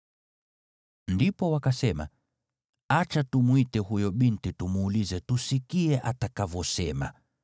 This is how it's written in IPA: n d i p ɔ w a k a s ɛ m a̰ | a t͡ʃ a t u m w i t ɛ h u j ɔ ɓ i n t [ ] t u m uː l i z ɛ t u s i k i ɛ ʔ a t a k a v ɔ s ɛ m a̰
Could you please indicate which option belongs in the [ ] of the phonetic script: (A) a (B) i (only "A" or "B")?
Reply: B